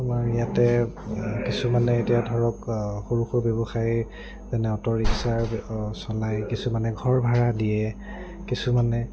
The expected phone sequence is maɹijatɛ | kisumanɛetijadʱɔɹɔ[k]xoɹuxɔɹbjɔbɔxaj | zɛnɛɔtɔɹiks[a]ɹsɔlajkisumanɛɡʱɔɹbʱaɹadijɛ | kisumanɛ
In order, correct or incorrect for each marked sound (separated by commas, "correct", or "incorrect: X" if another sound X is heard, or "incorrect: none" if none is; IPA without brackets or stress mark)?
correct, correct